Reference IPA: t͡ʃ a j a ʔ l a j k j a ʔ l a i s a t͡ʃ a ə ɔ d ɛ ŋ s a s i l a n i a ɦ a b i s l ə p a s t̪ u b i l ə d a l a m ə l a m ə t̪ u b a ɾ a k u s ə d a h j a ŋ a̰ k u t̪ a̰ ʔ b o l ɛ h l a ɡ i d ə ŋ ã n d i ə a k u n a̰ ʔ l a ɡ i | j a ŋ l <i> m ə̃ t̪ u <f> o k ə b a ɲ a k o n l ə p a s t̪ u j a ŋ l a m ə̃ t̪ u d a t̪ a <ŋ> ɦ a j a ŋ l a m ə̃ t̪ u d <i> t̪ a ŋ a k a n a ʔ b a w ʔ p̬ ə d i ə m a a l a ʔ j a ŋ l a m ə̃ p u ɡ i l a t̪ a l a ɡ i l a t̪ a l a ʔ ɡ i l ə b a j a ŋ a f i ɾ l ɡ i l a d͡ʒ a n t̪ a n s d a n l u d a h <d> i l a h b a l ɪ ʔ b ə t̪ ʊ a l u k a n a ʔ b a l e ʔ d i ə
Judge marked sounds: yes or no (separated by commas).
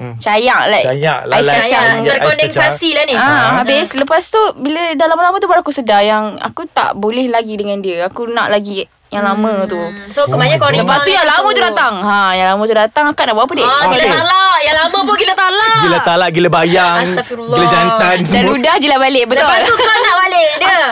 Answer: no, no, yes, no, no